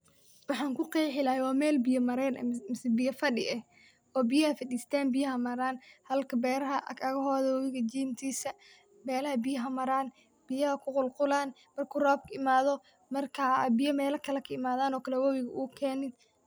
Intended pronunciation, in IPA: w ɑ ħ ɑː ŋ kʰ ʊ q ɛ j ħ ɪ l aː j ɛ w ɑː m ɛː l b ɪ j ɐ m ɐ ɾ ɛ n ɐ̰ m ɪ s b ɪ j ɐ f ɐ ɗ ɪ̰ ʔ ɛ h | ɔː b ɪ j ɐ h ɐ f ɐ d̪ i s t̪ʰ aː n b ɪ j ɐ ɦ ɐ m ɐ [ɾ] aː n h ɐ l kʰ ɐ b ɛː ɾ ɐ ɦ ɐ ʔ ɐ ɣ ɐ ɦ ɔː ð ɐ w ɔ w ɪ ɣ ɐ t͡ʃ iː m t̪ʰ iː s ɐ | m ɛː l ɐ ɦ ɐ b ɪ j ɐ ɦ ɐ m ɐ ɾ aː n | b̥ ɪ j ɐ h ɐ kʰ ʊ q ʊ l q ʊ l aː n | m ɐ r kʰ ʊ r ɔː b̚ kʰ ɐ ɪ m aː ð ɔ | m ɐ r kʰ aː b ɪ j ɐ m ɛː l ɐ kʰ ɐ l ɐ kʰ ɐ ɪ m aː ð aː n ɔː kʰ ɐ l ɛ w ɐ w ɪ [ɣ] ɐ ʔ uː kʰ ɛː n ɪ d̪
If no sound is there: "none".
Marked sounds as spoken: ɾ, ɣ

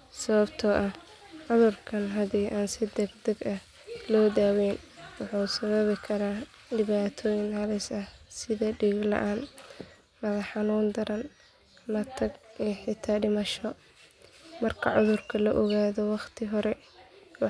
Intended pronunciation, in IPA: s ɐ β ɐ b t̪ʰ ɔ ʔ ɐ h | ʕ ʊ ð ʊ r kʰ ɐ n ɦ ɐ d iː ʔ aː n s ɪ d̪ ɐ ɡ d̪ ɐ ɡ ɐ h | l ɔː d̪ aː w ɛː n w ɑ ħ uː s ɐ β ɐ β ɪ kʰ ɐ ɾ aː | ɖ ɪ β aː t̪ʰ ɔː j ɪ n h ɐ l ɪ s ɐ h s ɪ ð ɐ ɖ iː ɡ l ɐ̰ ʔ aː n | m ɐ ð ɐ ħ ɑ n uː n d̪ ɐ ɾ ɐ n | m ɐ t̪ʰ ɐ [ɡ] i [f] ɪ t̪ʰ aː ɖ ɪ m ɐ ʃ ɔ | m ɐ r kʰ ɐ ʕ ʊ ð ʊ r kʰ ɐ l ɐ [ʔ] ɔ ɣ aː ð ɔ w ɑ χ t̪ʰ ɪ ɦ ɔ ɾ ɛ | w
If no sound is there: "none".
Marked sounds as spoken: ɡ, ħ, ʔ

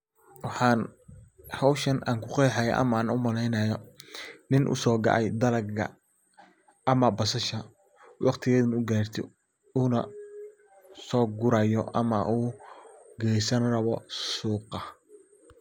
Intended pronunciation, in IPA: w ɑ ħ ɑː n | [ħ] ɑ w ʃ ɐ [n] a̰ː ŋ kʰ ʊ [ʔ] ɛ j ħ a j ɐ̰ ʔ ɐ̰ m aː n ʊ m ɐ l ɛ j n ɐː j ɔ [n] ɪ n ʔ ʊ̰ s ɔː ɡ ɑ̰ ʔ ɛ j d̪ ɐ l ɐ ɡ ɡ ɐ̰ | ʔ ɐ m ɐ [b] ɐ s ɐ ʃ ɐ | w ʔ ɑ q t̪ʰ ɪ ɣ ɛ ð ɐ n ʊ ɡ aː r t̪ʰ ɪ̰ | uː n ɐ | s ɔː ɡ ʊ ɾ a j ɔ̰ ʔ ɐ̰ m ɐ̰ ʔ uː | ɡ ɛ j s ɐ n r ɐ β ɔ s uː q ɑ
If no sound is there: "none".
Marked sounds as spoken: h, n, q, n, b

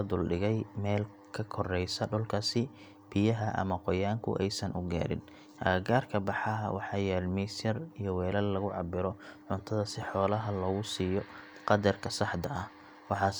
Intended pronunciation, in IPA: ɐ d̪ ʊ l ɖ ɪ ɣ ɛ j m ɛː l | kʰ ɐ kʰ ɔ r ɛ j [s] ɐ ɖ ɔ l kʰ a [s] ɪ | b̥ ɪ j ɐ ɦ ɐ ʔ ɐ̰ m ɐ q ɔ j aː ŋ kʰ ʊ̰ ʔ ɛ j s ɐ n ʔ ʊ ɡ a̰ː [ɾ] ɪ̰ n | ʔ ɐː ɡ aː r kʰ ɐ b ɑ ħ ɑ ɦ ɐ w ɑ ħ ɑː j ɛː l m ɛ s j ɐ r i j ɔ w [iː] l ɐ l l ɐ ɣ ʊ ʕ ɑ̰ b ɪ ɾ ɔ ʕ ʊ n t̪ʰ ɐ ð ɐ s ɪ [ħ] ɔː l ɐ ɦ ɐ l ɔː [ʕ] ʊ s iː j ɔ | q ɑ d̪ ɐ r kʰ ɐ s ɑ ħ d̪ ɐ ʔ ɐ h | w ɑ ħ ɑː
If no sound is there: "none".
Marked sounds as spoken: s, s, ɾ, ɛː, ħ, ɣ

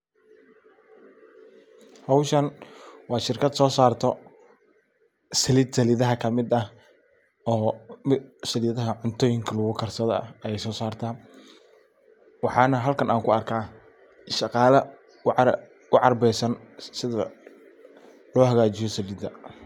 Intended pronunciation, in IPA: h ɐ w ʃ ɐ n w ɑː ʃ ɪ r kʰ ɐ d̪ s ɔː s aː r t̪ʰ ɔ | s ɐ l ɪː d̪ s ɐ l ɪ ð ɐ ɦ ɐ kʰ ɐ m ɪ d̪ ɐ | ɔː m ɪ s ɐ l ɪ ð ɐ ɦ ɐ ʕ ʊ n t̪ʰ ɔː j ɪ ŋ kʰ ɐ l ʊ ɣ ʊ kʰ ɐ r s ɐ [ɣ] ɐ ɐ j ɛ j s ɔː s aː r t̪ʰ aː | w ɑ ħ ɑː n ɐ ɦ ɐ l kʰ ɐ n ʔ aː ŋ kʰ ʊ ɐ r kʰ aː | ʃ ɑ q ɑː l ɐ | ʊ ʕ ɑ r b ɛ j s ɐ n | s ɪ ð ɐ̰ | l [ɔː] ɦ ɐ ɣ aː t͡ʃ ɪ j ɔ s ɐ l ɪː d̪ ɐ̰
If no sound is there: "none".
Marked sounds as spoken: ð, ɔː

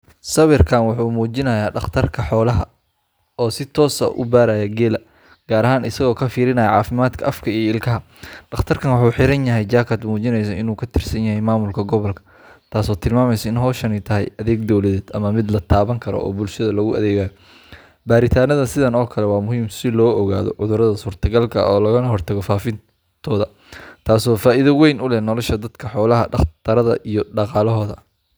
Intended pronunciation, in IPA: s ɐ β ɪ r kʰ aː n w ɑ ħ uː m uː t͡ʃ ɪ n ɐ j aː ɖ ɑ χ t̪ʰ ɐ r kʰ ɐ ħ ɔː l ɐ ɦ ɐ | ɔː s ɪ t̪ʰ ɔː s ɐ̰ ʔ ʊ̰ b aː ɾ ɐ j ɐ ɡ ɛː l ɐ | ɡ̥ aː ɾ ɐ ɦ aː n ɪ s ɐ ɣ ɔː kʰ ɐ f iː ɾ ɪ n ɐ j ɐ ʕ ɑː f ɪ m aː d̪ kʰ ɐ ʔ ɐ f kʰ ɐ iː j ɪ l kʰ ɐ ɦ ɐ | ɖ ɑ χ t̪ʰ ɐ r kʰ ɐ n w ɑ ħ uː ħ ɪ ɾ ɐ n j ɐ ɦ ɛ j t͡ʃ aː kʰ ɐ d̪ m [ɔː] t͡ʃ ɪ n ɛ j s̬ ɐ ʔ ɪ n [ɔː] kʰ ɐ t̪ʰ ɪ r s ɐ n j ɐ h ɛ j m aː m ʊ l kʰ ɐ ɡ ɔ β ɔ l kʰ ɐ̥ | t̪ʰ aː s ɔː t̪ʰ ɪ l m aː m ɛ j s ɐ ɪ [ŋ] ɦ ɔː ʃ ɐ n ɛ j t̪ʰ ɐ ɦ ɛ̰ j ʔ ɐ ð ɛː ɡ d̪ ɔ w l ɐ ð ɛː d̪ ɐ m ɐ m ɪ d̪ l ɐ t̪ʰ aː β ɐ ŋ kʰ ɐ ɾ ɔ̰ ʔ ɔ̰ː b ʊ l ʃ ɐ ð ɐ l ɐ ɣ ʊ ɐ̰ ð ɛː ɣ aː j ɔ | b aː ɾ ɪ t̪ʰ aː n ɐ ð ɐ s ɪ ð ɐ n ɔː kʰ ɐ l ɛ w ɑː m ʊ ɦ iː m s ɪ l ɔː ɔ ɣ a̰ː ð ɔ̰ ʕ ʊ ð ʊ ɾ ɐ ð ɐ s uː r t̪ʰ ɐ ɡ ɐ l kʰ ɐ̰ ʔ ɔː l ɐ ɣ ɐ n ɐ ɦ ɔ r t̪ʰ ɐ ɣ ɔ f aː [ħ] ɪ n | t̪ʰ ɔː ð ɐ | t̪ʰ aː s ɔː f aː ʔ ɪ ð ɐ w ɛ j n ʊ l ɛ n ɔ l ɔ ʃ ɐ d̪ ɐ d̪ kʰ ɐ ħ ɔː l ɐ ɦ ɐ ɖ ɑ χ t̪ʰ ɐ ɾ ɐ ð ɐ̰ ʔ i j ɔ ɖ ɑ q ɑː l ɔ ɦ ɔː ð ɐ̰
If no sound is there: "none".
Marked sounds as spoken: uː, uː, n, f

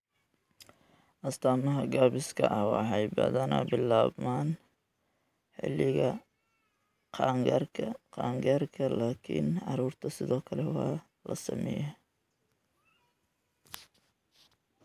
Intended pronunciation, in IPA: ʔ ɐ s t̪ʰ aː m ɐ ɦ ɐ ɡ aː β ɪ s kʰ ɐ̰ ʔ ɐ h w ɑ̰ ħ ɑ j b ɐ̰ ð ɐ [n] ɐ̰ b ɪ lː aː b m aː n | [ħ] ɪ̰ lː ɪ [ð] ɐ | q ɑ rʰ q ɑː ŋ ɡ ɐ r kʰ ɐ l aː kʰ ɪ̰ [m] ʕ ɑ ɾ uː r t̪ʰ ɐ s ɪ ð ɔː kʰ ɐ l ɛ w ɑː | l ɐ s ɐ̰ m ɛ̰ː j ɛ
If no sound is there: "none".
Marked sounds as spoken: n, ħ, ɣ, n

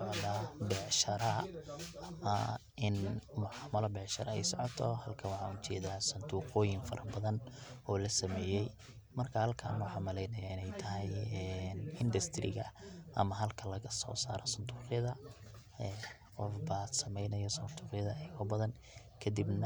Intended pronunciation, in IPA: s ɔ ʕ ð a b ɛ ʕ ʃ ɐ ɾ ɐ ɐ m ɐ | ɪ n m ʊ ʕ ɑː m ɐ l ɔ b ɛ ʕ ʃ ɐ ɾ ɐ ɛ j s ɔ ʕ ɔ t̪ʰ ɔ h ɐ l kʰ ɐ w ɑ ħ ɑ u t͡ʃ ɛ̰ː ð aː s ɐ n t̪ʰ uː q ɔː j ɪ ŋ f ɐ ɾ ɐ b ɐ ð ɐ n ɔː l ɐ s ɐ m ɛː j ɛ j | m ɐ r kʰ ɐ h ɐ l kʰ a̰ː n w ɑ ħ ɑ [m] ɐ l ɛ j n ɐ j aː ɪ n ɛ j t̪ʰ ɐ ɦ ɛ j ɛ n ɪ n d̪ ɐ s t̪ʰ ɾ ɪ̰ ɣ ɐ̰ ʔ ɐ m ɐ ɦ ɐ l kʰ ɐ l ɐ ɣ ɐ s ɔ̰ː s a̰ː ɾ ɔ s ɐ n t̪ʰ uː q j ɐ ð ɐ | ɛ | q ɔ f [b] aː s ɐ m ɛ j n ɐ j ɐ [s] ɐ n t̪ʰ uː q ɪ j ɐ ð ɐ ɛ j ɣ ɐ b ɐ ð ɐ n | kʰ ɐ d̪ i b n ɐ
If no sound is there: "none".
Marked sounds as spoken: m, b, s

